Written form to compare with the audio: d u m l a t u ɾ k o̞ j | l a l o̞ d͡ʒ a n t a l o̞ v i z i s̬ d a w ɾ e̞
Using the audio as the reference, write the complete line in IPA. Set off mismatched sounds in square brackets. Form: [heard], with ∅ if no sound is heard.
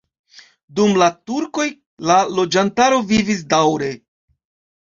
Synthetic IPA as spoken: d u m l a t u ɾ k o̞ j | l a l o̞ d͡ʒ a n t a [ɾ] o̞ v i [v] i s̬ d a w ɾ e̞